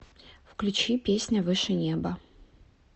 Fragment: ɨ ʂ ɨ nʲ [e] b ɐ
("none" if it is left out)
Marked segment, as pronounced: e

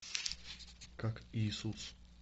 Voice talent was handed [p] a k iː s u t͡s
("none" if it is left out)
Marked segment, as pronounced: k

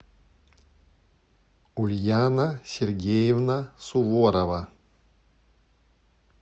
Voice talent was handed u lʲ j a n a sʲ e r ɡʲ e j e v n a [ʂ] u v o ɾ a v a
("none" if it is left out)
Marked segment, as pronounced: s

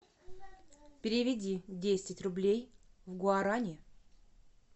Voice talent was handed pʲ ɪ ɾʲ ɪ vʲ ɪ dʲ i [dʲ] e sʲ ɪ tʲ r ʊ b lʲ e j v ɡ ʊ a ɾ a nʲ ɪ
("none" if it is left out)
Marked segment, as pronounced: dʲ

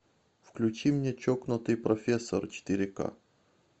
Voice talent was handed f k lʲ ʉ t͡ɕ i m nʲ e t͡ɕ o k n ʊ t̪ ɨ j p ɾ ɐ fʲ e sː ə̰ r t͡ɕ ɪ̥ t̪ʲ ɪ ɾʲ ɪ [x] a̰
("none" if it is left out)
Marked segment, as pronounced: k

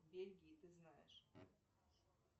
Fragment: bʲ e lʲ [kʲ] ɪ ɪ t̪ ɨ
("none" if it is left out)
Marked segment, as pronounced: ɡʲ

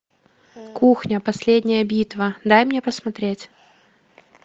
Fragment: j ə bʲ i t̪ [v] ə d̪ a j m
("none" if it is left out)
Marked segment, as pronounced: v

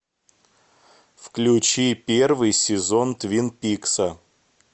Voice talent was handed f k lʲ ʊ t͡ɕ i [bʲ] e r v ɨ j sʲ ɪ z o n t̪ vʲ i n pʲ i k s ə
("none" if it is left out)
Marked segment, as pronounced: pʲ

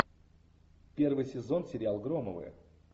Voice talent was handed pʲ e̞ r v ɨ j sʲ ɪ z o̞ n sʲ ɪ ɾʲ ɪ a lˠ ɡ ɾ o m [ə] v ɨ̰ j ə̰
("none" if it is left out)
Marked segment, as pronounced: ə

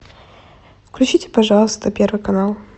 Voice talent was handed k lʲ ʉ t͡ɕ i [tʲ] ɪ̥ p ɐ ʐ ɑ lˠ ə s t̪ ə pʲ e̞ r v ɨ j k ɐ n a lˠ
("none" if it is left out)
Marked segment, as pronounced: tʲ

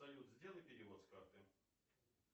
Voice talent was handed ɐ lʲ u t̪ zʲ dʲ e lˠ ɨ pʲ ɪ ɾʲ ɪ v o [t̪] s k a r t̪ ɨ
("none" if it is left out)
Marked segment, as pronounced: t̪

